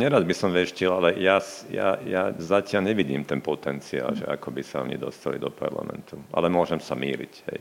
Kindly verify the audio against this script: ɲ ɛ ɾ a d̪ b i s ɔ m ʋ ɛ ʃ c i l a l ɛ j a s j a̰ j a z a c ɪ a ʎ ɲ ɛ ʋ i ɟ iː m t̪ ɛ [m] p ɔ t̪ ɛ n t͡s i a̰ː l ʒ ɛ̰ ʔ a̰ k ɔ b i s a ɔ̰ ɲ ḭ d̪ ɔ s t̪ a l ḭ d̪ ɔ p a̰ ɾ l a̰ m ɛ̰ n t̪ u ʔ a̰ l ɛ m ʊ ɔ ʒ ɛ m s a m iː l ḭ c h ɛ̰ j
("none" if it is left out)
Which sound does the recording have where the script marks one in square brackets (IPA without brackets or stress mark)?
n